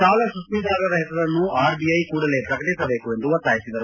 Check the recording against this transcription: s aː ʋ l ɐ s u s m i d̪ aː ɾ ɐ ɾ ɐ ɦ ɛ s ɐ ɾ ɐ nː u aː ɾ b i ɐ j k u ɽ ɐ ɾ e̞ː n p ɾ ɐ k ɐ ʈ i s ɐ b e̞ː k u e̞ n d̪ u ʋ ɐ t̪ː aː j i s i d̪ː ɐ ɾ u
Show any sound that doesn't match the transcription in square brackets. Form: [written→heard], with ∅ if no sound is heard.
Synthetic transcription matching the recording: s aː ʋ l ɐ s u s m i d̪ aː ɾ ɐ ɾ ɐ ɦ ɛ s ɐ ɾ ɐ nː u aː ɾ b i ɐ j k [u→uː] ɽ ɐ [ɾ→l] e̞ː [n→∅] p ɾ ɐ k ɐ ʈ i s ɐ b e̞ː k u e̞ n d̪ u ʋ ɐ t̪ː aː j i s i [d̪ː→d̪] ɐ ɾ u